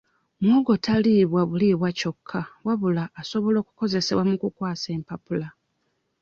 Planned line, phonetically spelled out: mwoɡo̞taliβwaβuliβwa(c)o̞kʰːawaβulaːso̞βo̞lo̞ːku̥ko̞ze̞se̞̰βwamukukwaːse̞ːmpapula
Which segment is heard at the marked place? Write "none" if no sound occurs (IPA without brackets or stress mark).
c